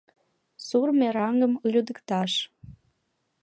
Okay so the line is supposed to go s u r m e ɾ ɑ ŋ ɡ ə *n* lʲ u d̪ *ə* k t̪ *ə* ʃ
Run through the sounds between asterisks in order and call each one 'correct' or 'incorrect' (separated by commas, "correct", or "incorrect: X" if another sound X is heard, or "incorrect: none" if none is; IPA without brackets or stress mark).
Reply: incorrect: m, correct, incorrect: ɑ